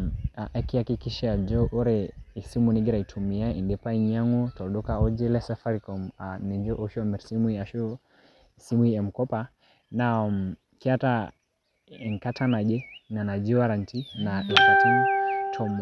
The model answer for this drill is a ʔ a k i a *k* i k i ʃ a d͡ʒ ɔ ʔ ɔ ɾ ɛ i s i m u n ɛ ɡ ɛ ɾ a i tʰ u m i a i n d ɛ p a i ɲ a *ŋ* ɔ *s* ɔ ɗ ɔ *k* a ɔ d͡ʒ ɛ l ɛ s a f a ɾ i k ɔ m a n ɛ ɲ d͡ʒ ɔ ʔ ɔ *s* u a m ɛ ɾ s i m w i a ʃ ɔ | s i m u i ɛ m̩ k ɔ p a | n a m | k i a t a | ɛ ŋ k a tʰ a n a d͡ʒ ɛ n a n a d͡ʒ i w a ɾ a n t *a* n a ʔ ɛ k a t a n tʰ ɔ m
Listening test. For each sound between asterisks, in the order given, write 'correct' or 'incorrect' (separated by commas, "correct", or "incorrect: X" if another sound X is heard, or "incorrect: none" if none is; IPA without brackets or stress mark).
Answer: correct, correct, incorrect: t, correct, incorrect: ʃ, incorrect: i